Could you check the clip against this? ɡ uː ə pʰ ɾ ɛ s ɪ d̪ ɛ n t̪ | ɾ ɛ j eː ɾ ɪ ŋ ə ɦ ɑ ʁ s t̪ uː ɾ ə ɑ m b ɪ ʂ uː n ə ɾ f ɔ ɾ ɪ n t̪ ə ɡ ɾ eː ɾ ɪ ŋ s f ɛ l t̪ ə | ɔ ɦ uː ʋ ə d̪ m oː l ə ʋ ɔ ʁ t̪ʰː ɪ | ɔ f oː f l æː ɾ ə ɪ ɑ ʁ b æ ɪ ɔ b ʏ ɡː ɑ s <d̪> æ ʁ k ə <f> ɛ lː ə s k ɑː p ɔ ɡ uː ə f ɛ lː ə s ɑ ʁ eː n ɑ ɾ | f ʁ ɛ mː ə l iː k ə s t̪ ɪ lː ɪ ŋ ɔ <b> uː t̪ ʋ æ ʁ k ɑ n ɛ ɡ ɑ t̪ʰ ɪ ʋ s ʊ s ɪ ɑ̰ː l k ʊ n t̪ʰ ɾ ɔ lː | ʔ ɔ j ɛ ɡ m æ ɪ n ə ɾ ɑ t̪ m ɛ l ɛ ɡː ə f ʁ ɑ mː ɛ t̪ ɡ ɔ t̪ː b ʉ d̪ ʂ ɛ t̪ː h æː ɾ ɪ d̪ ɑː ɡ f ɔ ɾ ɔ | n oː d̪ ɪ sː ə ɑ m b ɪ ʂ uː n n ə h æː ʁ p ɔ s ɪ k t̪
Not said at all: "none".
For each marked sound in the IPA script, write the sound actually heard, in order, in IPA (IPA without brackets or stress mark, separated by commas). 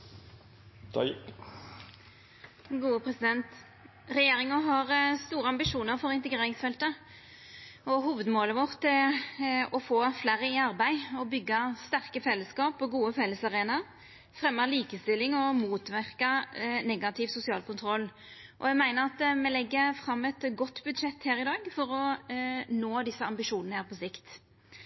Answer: t̪, f, m